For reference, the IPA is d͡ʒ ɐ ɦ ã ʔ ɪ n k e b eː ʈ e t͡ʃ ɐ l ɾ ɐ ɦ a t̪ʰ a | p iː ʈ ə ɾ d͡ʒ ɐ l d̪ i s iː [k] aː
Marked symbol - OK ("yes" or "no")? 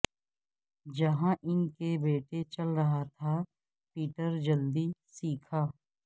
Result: no